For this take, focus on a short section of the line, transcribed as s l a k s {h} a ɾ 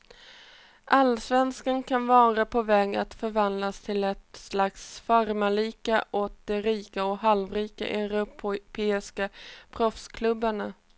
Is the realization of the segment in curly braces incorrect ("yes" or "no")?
yes